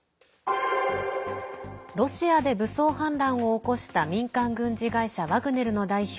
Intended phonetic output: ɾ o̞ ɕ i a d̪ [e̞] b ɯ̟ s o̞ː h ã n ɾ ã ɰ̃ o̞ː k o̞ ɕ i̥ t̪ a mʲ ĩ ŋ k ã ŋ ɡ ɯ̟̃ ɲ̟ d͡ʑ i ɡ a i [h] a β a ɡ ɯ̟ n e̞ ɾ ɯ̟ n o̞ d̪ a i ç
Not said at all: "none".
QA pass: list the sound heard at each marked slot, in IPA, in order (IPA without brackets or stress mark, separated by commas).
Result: e̞, ɕ